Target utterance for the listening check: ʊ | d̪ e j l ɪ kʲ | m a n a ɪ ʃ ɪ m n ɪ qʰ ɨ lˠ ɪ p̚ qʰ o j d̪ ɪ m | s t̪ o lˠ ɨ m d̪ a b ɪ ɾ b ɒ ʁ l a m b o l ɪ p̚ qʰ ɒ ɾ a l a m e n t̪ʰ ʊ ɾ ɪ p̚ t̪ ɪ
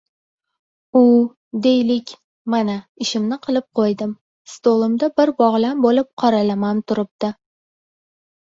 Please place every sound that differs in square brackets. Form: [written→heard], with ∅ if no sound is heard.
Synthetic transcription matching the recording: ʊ | d̪ e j l ɪ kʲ | m a n a ɪ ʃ ɪ m n ɪ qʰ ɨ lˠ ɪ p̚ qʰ o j d̪ ɪ m | s t̪ o lˠ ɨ m d̪ a b ɪ ɾ b ɒ ʁ l a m b o l ɪ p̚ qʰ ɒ ɾ a l a m [e→a] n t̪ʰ ʊ ɾ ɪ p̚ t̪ ɪ